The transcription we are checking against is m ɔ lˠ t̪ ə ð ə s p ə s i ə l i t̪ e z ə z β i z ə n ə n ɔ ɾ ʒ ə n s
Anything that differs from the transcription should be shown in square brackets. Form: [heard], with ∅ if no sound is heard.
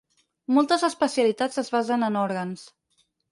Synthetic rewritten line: m ɔ lˠ t̪ ə [z] ə s p ə s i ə l i t̪ [a] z ə z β [a] z ə n ə n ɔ ɾ [ɣ] ə n s